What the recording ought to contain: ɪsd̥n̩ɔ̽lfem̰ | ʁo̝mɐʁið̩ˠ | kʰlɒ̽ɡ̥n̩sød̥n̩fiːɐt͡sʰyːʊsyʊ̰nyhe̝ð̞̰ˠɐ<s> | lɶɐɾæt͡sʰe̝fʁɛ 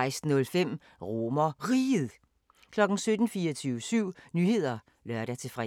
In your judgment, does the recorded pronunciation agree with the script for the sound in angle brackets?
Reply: no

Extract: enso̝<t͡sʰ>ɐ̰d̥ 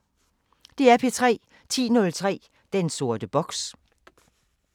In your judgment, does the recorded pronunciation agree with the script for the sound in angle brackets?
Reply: no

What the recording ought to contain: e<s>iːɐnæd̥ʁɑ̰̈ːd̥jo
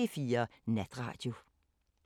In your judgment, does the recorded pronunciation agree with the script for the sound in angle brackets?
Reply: no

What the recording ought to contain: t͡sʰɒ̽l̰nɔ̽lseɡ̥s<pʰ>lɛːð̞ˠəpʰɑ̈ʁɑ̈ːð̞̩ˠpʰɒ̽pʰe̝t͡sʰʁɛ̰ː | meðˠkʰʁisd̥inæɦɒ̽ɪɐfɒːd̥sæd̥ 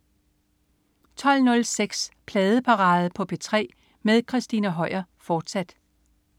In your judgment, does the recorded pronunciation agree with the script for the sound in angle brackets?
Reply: yes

